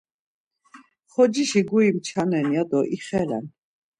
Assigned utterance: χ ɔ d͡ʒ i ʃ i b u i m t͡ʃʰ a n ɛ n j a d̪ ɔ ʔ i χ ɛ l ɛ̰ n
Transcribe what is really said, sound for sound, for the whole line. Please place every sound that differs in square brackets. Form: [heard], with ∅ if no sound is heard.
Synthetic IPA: χ ɔ d͡ʒ i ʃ i [ɡ] u i m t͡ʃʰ a n ɛ n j a d̪ ɔ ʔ i χ ɛ l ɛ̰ n